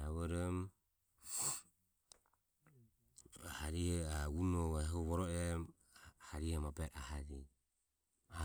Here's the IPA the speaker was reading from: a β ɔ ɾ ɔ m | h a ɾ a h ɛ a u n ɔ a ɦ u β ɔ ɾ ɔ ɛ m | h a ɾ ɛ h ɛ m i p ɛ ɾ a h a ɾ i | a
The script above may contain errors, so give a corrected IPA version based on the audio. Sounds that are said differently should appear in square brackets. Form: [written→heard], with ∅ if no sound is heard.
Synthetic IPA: a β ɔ ɾ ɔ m | h a ɾ [a→i] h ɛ a u n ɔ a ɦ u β ɔ ɾ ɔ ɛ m | h a ɾ [ɛ→i] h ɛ m [i→a] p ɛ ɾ a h a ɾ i | a